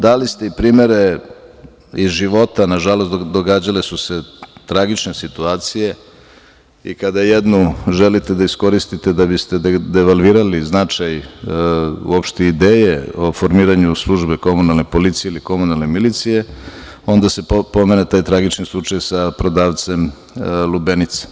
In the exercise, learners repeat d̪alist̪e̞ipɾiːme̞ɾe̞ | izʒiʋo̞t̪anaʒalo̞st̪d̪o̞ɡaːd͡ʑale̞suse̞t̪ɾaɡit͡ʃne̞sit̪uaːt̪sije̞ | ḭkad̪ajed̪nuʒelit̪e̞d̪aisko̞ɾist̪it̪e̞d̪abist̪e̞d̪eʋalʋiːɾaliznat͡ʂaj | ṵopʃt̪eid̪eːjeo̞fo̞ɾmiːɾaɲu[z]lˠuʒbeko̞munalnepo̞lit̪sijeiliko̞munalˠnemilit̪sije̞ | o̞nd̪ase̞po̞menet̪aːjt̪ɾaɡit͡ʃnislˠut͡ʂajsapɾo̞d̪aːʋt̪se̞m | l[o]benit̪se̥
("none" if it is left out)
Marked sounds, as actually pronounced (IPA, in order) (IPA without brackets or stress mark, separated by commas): s, u